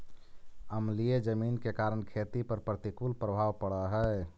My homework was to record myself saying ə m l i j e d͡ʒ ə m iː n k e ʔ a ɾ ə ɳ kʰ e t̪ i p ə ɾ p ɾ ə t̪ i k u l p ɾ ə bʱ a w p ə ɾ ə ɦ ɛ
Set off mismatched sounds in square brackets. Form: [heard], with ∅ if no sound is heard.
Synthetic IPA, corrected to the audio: ə m l i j e d͡ʒ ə m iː n k e [k] a ɾ ə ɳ kʰ e t̪ i p ə ɾ p ɾ ə t̪ i k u l p ɾ ə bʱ a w p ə [ɽ] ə ɦ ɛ